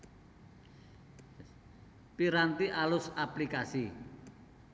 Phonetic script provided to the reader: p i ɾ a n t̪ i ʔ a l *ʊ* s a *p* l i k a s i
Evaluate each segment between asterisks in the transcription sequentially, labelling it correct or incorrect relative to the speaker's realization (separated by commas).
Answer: correct, correct